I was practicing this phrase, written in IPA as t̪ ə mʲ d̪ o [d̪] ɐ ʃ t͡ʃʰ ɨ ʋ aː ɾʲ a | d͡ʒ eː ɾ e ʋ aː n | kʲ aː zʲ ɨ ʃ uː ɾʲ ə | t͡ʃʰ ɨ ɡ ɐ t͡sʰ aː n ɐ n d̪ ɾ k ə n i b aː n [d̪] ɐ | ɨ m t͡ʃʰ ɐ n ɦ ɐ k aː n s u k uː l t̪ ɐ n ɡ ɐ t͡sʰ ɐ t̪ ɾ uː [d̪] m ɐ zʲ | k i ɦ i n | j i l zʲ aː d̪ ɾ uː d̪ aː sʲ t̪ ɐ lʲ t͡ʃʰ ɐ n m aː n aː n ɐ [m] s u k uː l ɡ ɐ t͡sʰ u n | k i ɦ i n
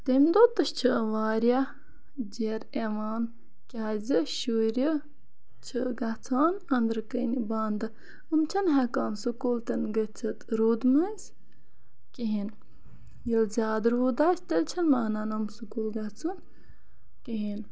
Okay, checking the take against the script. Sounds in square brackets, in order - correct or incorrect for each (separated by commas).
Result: incorrect, correct, correct, correct